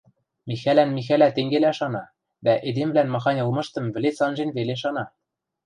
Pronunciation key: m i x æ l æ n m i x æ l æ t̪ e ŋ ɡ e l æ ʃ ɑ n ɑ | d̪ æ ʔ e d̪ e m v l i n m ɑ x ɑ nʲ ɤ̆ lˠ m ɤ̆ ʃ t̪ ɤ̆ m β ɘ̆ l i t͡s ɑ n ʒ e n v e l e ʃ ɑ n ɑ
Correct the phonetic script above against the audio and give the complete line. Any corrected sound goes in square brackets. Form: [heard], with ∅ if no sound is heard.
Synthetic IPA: m i x æ l æ n m i x æ l æ t̪ e ŋ ɡ e l æ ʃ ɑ n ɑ | d̪ æ ʔ e d̪ e m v l [æ] n m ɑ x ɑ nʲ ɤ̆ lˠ m ɤ̆ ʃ t̪ ɤ̆ m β ɘ̆ l [e] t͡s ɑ n ʒ e n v e l e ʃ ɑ n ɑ